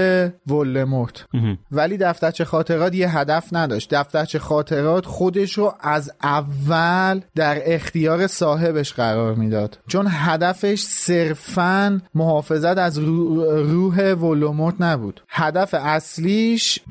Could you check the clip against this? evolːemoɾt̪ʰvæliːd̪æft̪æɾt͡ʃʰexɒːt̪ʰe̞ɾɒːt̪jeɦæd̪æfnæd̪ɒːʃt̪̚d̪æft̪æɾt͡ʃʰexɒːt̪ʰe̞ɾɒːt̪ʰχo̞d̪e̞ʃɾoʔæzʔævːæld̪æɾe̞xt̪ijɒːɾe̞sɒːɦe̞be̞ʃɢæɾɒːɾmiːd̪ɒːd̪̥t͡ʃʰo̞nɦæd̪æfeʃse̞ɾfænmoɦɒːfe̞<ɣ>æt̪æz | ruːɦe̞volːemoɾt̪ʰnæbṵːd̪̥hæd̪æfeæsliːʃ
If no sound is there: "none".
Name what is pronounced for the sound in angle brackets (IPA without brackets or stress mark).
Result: z